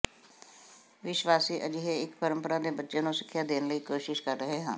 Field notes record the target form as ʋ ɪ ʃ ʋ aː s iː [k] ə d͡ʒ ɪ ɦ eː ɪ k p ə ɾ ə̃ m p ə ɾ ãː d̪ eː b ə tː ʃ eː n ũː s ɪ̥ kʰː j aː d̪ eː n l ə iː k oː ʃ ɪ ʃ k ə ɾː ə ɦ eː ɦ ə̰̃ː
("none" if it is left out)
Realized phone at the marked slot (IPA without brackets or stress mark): ʔ